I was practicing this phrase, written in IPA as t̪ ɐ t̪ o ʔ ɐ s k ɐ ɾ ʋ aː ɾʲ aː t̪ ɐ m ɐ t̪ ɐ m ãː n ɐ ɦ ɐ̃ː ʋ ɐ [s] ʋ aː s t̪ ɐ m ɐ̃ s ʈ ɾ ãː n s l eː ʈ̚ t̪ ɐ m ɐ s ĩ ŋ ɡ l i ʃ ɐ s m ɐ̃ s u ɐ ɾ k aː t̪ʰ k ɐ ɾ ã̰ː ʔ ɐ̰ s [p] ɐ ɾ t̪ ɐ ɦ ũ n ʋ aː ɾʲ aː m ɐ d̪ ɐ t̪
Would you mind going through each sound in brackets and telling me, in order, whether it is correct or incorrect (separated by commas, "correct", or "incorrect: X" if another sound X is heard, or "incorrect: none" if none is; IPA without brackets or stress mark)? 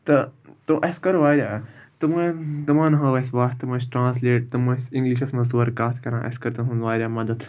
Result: correct, incorrect: k